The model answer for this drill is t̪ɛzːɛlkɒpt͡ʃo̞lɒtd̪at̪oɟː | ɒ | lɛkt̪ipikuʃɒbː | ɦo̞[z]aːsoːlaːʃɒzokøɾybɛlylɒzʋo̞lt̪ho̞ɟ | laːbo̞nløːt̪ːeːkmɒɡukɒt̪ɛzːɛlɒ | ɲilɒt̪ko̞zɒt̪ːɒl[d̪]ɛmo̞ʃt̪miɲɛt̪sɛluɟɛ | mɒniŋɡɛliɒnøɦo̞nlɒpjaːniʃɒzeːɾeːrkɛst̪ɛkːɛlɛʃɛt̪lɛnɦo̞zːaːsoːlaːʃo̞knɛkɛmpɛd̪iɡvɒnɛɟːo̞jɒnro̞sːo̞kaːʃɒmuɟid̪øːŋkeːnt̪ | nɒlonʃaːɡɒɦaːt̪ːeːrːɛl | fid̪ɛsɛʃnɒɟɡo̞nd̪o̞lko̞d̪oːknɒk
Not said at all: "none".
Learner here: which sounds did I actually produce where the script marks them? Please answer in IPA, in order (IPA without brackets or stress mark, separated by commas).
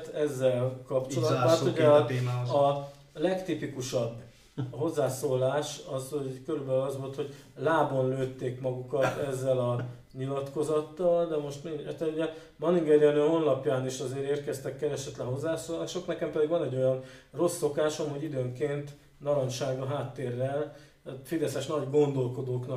zː, d̪